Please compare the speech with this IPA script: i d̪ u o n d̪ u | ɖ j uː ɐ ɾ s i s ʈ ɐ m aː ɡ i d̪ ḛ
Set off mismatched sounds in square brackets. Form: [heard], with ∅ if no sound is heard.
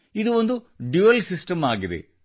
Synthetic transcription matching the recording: i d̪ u o n d̪ u | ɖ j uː ɐ [l] s i s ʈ ɐ m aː ɡ i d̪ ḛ